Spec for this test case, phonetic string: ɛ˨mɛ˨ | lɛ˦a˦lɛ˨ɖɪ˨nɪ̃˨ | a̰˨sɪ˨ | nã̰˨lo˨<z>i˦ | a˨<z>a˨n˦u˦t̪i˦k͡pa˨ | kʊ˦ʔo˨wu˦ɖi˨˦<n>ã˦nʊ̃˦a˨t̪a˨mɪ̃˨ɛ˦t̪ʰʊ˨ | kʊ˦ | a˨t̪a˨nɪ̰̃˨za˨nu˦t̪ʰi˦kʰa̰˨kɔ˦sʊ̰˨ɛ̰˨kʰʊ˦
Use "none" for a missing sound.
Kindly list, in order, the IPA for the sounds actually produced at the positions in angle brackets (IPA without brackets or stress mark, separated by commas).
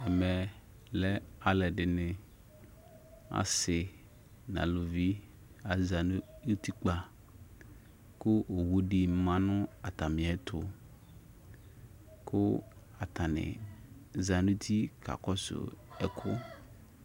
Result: v, z, m